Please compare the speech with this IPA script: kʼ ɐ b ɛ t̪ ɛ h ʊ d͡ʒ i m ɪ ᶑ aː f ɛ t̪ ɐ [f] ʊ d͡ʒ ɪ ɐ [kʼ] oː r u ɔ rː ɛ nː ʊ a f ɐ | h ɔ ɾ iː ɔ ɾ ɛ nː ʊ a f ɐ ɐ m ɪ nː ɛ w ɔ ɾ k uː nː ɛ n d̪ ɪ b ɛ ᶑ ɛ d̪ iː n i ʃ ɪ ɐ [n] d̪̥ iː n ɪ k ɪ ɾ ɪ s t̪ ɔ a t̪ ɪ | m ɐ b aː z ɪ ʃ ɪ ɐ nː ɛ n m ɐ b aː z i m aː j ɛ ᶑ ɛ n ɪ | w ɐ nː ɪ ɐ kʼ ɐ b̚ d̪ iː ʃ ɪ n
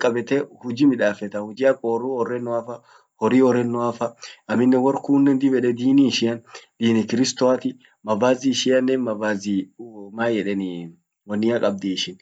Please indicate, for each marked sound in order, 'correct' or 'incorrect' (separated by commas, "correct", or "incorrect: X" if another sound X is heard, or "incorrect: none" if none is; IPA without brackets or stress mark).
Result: incorrect: h, correct, correct